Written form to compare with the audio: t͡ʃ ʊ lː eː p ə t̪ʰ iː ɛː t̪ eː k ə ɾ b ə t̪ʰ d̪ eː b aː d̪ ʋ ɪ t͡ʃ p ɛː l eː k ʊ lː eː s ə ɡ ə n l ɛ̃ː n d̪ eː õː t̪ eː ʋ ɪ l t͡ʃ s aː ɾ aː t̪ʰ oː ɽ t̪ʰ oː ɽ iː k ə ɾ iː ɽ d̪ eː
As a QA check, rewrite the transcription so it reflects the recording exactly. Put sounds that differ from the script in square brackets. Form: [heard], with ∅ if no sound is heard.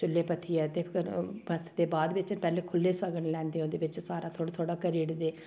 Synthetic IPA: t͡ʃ ʊ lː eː p ə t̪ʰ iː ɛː t̪ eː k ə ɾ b ə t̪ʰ d̪ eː b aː d̪ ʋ ɪ t͡ʃ p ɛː l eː [kʰ] ʊ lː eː s ə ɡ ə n l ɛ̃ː n d̪ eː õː [d̪] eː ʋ ɪ [∅] t͡ʃ s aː ɾ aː t̪ʰ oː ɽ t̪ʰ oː ɽ [aː] k ə ɾ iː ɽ d̪ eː

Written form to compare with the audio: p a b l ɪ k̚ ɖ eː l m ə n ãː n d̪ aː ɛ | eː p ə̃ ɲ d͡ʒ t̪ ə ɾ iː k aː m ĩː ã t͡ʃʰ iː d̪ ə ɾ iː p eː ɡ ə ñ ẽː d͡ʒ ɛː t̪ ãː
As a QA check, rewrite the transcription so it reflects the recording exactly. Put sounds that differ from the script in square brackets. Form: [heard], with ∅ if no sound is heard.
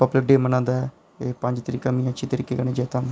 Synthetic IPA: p [ə] b l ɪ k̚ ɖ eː [∅] m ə n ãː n d̪ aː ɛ | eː p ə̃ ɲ d͡ʒ t̪ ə ɾ iː k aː m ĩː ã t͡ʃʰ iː [t̪] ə ɾ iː [k] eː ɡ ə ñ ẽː d͡ʒ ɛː t̪ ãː

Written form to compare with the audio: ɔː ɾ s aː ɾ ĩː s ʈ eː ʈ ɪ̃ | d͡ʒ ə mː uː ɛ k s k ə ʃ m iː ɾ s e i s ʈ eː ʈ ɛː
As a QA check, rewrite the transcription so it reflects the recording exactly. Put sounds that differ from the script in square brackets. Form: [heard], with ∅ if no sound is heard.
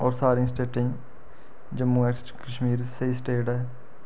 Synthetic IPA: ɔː ɾ s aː ɾ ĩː s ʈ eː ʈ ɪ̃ | d͡ʒ ə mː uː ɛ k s k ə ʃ m iː ɾ s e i s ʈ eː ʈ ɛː

